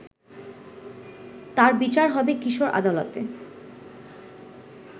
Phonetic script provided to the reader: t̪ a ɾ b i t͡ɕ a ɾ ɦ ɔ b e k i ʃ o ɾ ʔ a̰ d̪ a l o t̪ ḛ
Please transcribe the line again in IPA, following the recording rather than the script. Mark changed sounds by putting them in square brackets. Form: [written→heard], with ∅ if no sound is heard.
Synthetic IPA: t̪ a ɾ b i t͡ɕ a ɾ ɦ ɔ b e k i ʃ o ɾ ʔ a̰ d̪ a l o t̪ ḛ